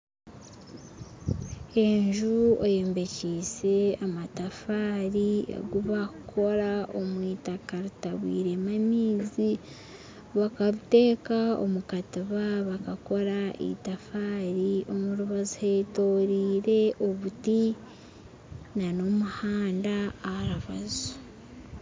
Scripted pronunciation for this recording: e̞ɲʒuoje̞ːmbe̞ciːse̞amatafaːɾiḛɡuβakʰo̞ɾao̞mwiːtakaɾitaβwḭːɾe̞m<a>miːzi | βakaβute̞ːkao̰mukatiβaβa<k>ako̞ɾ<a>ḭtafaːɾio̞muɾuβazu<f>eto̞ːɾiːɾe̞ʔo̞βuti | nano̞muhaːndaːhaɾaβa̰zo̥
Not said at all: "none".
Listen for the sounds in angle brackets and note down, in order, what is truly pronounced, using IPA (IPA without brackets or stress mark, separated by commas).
a, k, a, h